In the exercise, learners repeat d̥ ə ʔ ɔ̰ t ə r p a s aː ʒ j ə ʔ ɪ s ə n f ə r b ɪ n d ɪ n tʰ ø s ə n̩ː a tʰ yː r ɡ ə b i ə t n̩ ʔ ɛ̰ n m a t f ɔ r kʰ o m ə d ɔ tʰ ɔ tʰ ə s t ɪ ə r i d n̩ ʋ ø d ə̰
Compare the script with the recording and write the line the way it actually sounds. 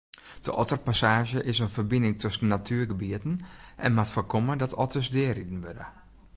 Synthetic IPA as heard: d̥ ə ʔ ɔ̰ t ə r p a s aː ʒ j ə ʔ ɪ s ə n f ə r b ɪ n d ɪ ŋ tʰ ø s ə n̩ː a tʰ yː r ɡ ə b i ə t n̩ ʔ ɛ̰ n m a t f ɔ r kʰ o m ə d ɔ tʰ ɔ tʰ ə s d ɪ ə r i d n̩ ʋ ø d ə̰

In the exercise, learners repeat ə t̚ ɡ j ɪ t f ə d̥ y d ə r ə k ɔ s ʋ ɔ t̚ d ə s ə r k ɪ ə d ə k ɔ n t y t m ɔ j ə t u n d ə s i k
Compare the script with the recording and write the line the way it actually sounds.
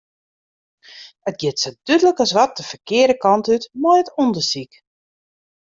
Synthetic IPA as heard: ə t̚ ɡ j ɪ t s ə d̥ y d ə l ə k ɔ s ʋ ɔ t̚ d ə f ə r k ɪ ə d ə k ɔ n t y t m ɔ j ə t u n d ə s i k

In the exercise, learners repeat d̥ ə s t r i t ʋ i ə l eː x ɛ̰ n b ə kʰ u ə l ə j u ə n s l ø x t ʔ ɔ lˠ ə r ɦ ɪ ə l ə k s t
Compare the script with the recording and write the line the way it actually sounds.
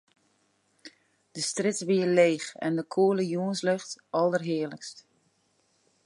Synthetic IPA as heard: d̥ ə s t r ɪ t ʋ i ə l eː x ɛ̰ n d ə kʰ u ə l ə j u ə n s l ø x t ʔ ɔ lˠ ə r ɦ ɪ ə l ə k s t

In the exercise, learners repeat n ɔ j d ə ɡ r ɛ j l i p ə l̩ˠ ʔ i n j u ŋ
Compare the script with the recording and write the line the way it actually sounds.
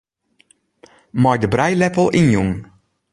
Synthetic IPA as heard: m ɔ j d ə b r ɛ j l ɛ p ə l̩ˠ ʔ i n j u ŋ

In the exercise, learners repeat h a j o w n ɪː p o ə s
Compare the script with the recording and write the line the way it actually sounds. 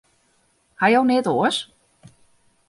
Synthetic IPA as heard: h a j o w n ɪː t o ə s

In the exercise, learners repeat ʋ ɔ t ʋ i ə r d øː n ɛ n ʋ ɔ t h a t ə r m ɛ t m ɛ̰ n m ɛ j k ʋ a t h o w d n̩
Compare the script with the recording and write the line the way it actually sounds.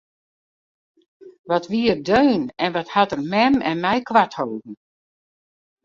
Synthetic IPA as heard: ʋ ɔ t ʋ i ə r d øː n ɛ n ʋ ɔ t h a t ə r m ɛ m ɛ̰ n m ɛ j k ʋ a t h o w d n̩

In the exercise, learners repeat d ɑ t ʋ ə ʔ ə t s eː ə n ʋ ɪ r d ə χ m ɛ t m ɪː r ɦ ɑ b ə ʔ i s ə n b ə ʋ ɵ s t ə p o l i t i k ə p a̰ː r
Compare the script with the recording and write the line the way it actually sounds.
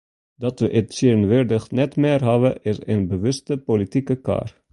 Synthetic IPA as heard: d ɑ t ʋ ə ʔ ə t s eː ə n ʋ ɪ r d ə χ n ɛ t m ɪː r ɦ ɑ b ə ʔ ɪ s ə n b ə ʋ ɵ s t ə p o l i t i k ə k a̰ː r

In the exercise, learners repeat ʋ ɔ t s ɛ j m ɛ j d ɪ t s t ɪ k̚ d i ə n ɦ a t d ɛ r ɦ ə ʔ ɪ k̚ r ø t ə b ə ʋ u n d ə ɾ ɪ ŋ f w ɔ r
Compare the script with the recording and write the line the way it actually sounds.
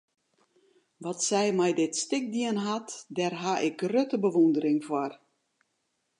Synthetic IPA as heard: ʋ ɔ t s ɛ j m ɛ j d ɪ t s t ɪ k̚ d i ə n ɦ a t d ɛ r ɦ a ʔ ɪ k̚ r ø t ə b ə ʋ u n d ə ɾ ɪ ŋ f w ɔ r

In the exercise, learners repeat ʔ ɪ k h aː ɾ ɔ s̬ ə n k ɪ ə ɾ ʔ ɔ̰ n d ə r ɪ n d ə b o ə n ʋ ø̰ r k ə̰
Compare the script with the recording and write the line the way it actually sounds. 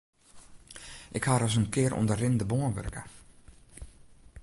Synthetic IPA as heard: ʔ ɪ k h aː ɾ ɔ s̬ ə n k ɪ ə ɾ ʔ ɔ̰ n d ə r ɪ n d ə b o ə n ʋ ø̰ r k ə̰

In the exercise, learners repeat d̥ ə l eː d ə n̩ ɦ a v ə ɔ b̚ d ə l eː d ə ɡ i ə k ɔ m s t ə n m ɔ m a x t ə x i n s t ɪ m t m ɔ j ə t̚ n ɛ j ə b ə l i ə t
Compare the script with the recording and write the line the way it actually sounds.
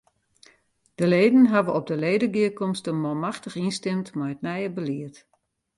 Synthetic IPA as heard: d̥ ə l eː d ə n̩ ɦ a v ə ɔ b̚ d ə l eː d ə ɡ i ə k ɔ m s t ə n m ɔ m a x t ə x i n s t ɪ m t m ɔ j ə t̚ n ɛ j ə b ə l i ə t

